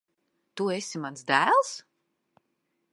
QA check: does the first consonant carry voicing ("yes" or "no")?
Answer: no